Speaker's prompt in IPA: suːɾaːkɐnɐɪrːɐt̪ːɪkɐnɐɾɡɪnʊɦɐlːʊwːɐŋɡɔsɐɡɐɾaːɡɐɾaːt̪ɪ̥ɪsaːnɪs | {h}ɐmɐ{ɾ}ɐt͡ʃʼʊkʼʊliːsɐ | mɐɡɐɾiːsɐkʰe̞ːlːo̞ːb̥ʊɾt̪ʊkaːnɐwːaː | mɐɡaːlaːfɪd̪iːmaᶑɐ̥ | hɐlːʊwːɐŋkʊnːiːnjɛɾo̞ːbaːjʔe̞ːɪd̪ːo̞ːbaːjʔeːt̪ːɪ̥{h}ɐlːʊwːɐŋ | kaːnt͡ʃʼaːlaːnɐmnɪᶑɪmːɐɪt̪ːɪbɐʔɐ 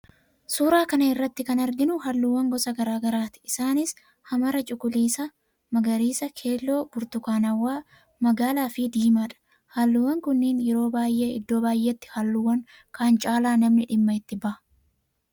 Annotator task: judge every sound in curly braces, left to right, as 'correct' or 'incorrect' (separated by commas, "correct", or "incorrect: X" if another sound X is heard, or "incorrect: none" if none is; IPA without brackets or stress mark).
correct, correct, correct